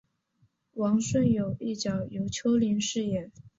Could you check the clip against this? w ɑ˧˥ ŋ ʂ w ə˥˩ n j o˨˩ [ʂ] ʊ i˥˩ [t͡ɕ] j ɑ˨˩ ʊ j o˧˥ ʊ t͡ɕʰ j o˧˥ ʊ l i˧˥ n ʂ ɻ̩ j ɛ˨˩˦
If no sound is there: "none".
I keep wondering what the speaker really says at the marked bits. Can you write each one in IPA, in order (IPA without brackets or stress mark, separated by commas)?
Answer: none, t͡ɕ